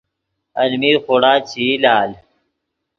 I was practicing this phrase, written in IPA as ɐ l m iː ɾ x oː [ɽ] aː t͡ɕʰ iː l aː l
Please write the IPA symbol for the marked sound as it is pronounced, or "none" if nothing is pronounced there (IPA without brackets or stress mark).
ɽ